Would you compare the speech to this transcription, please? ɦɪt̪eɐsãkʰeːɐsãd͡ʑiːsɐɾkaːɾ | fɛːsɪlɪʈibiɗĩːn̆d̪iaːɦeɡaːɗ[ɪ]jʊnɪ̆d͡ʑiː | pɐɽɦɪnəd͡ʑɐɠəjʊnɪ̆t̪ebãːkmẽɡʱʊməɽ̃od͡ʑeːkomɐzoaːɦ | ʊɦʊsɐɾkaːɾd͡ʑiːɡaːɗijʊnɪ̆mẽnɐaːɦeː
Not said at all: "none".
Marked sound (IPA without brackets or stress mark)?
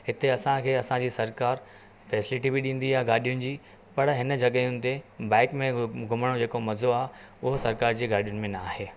i